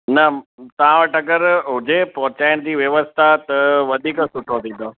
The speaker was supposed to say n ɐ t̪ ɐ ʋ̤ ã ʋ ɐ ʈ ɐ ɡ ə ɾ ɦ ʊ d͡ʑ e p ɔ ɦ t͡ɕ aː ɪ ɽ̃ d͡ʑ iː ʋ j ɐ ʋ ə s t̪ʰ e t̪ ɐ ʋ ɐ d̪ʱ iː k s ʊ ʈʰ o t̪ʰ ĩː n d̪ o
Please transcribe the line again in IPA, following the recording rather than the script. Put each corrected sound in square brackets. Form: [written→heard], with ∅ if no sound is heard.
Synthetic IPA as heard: n ɐ t̪ ɐ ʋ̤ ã ʋ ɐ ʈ ɐ ɡ ə ɾ ɦ ʊ d͡ʑ e p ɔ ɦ t͡ɕ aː ɪ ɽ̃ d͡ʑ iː ʋ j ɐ ʋ ə s t̪ʰ [e→a] t̪ ɐ ʋ ɐ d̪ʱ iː k s ʊ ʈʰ o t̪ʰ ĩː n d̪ o